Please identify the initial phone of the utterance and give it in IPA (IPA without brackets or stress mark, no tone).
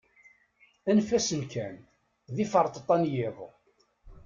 æ